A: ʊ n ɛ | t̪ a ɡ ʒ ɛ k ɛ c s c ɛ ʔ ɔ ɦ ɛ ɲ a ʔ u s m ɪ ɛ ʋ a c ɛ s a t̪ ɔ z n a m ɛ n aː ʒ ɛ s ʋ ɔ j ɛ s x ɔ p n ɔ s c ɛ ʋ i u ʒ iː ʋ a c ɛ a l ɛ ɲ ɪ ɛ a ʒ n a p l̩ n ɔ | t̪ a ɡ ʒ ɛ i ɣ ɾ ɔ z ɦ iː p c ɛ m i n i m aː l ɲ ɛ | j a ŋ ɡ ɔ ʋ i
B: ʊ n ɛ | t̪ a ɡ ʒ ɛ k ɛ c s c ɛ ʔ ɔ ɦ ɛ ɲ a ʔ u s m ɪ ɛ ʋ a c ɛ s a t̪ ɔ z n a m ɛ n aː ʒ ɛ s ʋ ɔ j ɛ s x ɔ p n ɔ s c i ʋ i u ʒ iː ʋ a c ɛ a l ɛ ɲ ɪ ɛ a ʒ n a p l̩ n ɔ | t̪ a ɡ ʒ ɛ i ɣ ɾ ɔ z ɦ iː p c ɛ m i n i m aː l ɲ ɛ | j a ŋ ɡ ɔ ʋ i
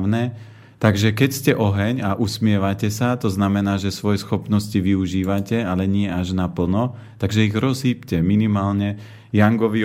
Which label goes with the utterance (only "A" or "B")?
B